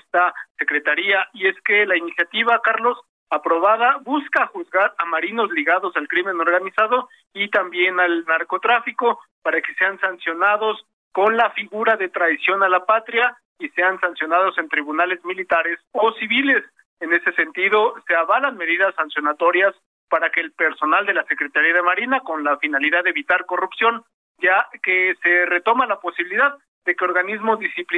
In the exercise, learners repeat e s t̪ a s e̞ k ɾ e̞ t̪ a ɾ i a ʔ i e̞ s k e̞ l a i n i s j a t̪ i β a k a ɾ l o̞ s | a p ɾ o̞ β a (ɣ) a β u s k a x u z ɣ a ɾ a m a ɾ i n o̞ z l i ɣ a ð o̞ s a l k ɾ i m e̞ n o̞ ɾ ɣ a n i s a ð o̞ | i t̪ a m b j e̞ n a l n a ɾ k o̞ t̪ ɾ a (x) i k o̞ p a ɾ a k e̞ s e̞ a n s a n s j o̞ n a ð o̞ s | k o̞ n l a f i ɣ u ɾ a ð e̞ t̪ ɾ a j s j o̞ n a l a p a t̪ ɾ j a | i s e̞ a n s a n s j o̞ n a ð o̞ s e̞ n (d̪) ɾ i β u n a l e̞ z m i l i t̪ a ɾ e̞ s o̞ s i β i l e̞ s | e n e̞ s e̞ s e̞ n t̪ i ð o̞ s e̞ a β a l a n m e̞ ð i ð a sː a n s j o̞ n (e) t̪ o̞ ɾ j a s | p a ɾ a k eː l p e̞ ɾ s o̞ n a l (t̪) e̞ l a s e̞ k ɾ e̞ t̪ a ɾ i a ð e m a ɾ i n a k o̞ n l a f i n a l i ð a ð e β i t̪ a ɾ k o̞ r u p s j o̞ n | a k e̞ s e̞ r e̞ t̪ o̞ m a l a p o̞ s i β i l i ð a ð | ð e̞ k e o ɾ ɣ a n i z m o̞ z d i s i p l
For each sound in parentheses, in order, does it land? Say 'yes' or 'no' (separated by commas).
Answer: no, no, no, no, no